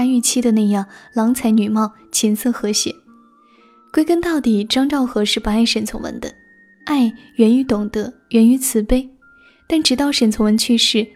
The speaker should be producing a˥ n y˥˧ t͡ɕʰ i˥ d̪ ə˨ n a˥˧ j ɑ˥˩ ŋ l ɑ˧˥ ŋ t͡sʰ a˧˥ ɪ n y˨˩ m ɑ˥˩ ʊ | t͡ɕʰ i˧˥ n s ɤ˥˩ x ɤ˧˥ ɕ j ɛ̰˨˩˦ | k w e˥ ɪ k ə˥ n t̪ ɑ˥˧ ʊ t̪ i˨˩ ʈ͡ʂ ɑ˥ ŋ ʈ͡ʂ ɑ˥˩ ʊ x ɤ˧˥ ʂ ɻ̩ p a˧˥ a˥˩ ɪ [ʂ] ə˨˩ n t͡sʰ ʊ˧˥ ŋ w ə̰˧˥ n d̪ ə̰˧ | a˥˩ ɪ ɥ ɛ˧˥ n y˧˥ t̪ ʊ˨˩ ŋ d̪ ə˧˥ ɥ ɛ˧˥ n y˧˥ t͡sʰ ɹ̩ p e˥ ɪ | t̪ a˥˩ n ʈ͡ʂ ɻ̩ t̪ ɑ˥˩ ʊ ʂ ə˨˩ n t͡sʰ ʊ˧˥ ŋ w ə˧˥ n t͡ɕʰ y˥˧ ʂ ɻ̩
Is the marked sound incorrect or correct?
correct